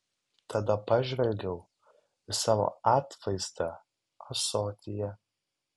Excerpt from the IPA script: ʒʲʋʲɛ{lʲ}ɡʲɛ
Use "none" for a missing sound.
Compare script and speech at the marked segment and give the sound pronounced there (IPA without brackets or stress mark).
lʲ